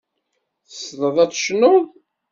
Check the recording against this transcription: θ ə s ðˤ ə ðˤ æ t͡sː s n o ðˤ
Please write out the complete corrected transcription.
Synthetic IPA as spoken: θ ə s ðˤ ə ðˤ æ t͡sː ʃ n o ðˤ